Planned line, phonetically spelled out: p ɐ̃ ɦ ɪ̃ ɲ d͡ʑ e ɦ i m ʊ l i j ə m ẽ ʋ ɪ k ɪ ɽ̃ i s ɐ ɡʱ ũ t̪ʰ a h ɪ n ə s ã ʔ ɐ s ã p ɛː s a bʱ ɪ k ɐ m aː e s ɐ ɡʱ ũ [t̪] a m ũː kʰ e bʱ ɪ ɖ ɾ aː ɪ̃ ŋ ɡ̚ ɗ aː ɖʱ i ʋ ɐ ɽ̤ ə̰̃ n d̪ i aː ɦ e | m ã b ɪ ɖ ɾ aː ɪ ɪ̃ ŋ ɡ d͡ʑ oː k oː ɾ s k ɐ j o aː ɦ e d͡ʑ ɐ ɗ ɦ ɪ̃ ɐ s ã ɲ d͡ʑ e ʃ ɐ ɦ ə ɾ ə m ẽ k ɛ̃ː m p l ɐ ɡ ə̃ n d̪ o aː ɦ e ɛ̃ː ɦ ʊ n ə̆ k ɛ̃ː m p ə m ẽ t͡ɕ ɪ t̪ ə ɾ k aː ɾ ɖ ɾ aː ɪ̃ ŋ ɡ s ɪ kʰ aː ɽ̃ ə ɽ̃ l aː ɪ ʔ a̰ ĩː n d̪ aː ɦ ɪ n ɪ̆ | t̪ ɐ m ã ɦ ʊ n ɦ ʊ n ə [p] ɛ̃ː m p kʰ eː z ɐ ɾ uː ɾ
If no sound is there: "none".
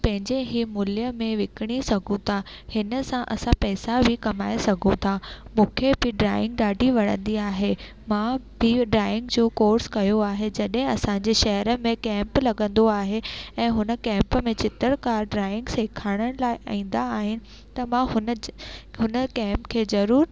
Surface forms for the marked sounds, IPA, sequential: t̪ʰ, k

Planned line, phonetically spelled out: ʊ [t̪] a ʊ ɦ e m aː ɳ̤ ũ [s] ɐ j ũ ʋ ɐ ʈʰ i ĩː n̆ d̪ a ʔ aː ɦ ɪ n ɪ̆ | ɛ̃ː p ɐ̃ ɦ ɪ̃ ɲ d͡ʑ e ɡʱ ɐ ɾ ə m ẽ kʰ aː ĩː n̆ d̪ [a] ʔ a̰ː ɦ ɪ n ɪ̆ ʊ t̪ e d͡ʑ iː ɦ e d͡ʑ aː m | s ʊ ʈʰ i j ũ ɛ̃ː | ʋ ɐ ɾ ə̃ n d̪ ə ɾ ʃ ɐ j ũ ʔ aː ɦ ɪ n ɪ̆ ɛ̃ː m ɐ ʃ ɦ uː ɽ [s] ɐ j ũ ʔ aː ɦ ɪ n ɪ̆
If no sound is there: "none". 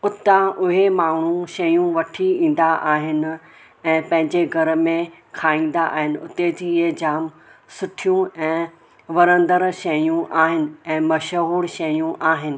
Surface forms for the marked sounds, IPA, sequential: t̪, ʃ, a, ʃ

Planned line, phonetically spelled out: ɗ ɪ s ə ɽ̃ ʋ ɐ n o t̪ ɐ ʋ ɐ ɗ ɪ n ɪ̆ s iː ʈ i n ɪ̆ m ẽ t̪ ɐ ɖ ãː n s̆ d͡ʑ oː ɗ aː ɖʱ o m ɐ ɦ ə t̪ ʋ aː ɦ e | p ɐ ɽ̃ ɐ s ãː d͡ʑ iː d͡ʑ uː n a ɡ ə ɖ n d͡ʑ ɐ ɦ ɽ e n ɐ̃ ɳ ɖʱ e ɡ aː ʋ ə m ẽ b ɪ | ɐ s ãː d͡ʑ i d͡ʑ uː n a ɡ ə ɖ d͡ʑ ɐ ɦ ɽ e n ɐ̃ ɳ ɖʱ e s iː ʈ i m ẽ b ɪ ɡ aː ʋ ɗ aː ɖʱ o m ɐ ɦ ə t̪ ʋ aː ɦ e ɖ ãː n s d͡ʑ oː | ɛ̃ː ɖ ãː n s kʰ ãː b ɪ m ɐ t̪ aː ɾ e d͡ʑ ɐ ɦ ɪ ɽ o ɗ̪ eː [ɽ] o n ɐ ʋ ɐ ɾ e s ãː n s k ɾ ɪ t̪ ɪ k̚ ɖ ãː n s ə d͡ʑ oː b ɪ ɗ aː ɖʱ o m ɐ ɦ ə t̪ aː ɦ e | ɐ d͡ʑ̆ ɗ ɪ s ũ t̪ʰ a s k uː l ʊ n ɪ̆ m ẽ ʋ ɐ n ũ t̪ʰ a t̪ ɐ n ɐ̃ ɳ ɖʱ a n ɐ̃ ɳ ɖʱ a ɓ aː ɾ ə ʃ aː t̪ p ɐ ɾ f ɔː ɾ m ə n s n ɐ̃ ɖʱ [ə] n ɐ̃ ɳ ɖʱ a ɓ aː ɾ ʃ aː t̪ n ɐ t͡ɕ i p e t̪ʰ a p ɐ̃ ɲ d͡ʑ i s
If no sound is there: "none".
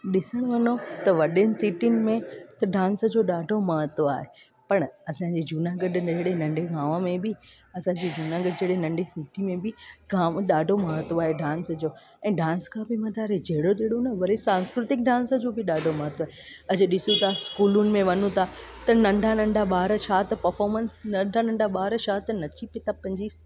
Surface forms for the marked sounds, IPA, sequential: ɽ, a

